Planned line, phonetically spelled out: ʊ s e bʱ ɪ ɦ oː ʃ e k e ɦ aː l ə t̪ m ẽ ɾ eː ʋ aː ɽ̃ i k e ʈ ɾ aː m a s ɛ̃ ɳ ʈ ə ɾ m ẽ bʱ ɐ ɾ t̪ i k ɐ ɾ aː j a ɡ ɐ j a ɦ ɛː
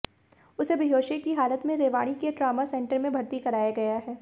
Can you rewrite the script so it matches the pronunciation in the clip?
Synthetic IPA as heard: ʊ s e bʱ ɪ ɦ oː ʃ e k i ɦ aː l ə t̪ m ẽ ɾ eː ʋ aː ɽ̃ i k e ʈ ɾ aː m a s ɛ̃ ɳ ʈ ə ɾ m ẽ bʱ ɐ ɾ t̪ i k ɐ ɾ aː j a ɡ ɐ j a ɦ ɛː